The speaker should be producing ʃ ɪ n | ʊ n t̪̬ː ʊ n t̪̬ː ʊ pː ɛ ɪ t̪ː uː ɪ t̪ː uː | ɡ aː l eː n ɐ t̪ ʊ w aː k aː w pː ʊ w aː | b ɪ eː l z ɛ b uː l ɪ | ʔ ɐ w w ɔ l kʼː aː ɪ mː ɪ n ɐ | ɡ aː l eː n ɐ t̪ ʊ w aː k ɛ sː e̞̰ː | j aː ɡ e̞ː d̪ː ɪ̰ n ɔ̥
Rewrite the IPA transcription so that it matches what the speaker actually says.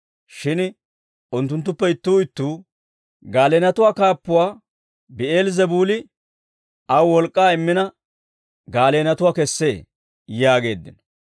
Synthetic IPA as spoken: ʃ ɪ n | ʊ n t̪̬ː ʊ n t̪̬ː ʊ pː ɛ ɪ t̪ː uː ɪ t̪ː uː | ɡ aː l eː n ɐ t̪ ʊ w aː k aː pː ʊ w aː | b ɪ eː l z ɛ b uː l ɪ | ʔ ɐ w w ɔ l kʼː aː ɪ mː ɪ n ɐ | ɡ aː l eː n ɐ t̪ ʊ w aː k ɛ sː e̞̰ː | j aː ɡ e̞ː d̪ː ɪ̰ n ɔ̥

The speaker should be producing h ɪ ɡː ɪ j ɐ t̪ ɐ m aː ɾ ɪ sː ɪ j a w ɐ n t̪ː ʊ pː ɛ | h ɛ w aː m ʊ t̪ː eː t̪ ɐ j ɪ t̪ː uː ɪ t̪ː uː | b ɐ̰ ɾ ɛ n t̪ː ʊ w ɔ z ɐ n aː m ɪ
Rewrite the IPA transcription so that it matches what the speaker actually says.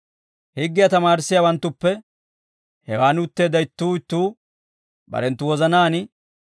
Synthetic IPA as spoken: h ɪ ɡː ɪ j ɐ t̪ ɐ m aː ɾ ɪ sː ɪ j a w ɐ n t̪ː ʊ pː ɛ | h ɛ w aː n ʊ t̪ː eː d̪ ɐ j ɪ t̪ː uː ɪ t̪ː uː | b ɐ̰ ɾ ɛ n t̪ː ʊ w ɔ z ɐ n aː n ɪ

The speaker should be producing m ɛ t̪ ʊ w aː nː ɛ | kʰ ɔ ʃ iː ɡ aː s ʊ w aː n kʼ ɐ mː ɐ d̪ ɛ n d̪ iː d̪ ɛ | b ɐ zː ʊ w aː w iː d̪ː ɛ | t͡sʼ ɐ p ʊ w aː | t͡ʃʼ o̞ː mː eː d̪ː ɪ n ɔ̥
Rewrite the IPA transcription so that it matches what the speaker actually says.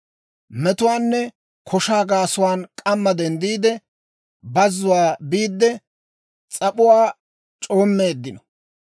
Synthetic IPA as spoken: m ɛ t̪ ʊ w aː nː ɛ | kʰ ɔ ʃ aː ɡ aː s ʊ w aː n kʼ ɐ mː ɐ d̪ ɛ n d̪ iː d̪ ɛ | b ɐ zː ʊ w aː b iː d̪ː ɛ | t͡sʼ ɐ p ʊ w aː | t͡ʃʼ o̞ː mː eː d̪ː ɪ n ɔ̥

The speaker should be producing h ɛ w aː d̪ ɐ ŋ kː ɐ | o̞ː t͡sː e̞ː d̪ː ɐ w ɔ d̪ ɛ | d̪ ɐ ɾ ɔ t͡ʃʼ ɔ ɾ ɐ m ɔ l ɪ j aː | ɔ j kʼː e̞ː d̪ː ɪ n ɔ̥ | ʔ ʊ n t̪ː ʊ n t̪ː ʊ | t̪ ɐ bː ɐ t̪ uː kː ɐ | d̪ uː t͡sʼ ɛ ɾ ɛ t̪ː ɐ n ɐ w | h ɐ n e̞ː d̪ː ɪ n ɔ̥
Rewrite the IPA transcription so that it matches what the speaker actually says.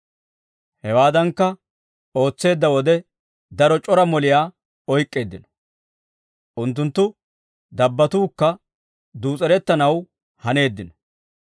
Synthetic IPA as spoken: h ɛ w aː d̪ ɐ ŋ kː ɐ | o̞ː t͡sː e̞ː d̪ː ɐ w ɔ d̪ ɛ | d̪ ɐ ɾ ɔ t͡ʃʼ ɔ ɾ ɐ m ɔ l ɪ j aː | ɔ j kʼː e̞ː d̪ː ɪ n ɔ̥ | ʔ ʊ n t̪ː ʊ n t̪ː ʊ | d̪ ɐ bː ɐ t̪ uː kː ɐ | d̪ uː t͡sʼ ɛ ɾ ɛ t̪ː ɐ n ɐ w | h ɐ n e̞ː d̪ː ɪ n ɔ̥

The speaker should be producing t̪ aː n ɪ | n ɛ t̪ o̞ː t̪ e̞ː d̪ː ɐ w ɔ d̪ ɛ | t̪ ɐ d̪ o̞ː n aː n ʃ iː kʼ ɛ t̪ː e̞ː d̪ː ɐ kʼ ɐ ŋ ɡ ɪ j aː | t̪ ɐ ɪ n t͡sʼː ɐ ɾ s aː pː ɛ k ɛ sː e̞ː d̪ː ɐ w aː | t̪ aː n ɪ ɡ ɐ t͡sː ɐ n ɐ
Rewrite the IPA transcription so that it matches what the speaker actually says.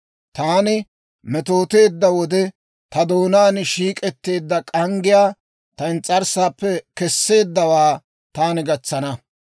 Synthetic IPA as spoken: t̪ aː n ɪ | m ɛ t̪ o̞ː t̪ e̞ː d̪ː ɐ w ɔ d̪ ɛ | t̪ ɐ d̪ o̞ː n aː n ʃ iː kʼ ɛ t̪ː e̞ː d̪ː ɐ kʼ ɐ ŋ ɡ ɪ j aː | t̪ ɐ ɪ n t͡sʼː ɐ ɾ s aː pː ɛ k ɛ sː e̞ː d̪ː ɐ w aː | t̪ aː n ɪ ɡ ɐ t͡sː ɐ n ɐ

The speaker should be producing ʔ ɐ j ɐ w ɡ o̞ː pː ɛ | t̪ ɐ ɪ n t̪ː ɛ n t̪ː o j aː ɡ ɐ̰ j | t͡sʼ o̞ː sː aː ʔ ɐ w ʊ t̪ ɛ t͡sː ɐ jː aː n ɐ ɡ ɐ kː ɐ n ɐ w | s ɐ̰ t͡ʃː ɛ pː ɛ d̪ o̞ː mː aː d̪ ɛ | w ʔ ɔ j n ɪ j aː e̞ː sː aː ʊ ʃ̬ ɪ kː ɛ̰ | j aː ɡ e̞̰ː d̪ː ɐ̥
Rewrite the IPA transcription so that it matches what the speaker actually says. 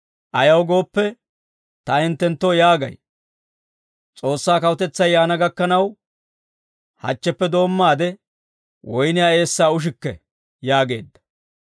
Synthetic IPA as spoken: ʔ ɐ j ɐ w ɡ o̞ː pː ɛ | t̪ ɐ ɪ n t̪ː ɛ n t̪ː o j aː ɡ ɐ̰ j | t͡sʼ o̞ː sː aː k ɐ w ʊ t̪ ɛ t͡sː ɐ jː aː n ɐ ɡ ɐ kː ɐ n ɐ w | h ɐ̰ t͡ʃː ɛ pː ɛ d̪ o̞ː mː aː d̪ ɛ | w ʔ ɔ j n ɪ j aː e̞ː sː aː ʊ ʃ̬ ɪ kː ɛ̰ | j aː ɡ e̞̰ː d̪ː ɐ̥

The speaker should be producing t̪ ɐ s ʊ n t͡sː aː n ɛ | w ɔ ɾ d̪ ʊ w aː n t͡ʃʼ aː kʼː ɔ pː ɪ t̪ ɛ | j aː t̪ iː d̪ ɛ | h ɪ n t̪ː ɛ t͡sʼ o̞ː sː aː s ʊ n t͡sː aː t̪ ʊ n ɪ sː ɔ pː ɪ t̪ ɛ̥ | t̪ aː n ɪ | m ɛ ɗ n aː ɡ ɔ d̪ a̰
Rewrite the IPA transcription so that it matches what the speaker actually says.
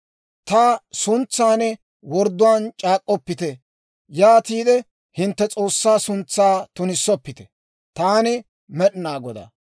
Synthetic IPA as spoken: t̪ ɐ s ʊ n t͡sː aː n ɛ | w ɔ ɾ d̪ ʊ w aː n t͡ʃʼ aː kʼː ɔ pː ɪ t̪ ɛ | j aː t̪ iː d̪ ɛ | h ɪ n t̪ː ɛ t͡sʼ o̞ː sː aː s ʊ n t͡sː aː t̪ ʊ n ɪ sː ɔ pː ɪ t̪ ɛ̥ | t̪ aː n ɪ | m ɛ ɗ n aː ɡ ɔ d̪ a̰

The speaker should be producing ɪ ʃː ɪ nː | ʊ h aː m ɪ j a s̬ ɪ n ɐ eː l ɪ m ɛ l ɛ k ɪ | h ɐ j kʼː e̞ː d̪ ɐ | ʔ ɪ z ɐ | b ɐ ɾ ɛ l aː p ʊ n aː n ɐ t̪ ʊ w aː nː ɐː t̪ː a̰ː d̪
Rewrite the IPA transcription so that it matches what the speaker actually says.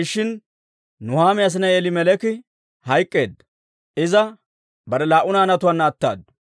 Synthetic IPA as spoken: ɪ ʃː ɪ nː | ʊ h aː m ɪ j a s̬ ɪ n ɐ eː l ɪ m ɛ l ɛ k ɪ | h ɐ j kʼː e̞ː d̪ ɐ | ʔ ɪ z ɐ | b ɐ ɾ ɛ l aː ʔ ʊ n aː n ɐ t̪ ʊ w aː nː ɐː t̪ː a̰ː d̪

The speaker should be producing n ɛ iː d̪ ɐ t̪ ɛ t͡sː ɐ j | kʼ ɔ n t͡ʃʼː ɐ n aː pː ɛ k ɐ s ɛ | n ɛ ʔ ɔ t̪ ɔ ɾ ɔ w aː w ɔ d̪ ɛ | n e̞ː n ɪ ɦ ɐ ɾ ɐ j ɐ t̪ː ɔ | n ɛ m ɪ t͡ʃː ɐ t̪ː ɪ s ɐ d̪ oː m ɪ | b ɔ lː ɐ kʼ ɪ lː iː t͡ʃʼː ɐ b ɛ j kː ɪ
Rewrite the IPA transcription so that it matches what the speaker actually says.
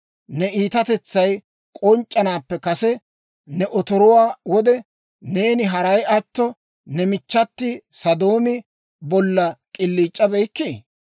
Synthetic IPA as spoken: n ɛ iː t̪ ɐ t̪ ɛ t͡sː ɐ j | kʼ ɔ n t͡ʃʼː ɐ n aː pː ɛ k ɐ s ɛ | n ɛ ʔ ɔ t̪ ɔ ɾ ɔ w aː w ɔ d̪ ɛ | n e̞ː n ɪ ɦ ɐ ɾ ɐ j ɐ t̪ː ɔ | n ɛ m ɪ t͡ʃː ɐ t̪ː ɪ s ɐ d̪ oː m ɪ | b ɔ lː ɐ kʼ ɪ lː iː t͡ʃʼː ɐ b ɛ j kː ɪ

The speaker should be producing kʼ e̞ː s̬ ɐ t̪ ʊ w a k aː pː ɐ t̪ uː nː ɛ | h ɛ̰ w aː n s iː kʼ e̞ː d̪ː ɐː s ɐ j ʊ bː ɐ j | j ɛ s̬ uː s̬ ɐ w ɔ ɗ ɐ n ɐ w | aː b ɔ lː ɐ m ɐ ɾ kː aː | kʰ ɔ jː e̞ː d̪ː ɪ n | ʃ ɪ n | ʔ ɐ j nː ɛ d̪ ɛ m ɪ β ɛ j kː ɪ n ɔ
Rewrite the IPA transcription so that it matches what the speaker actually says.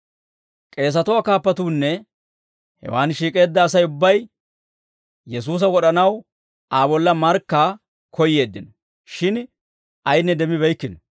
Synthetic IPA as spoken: kʼ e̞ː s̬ ɐ t̪ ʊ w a k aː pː ɐ t̪ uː nː ɛ | h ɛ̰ w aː n ʃ iː kʼ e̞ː d̪ː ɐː s ɐ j ʊ bː ɐ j | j ɛ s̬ uː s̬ ɐ w ɔ ɗ ɐ n ɐ w | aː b ɔ lː ɐ m ɐ ɾ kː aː | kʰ ɔ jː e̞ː d̪ː ɪ n | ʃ ɪ n | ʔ ɐ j nː ɛ d̪ ɛ m ɪ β ɛ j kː ɪ n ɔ

